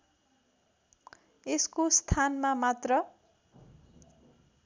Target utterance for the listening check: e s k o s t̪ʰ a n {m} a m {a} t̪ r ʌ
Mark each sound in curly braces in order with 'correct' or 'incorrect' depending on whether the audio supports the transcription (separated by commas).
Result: correct, correct